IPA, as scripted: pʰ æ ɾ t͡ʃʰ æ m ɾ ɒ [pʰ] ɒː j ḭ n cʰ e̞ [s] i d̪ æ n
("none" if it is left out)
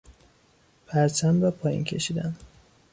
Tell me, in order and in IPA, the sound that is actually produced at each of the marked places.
pʰ, ʃ

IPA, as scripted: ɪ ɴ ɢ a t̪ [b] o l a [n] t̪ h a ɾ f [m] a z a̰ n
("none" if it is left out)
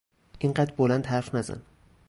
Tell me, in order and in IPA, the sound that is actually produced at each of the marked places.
b, n, n

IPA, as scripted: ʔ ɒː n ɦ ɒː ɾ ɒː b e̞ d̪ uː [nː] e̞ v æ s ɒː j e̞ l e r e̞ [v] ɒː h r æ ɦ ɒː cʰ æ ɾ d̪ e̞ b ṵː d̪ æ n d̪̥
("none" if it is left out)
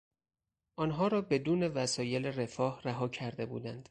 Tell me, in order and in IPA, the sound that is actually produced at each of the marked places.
n, f

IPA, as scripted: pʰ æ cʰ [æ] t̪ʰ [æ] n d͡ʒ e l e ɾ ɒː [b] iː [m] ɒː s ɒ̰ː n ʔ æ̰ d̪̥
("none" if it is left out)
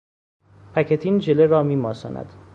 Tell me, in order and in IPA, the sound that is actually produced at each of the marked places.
e, i, m, m

